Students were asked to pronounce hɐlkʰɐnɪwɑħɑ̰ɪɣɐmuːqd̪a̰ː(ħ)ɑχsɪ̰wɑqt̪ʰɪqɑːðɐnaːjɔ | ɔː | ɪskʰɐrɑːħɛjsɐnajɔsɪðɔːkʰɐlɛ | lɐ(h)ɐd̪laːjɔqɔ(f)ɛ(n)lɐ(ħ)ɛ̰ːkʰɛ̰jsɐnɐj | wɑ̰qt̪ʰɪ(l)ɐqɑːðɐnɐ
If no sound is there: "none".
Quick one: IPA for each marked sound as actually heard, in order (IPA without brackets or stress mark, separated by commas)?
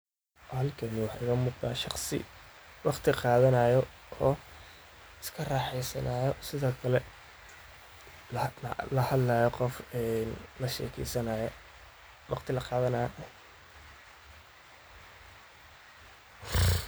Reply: ʃ, h, f, n, ʃ, l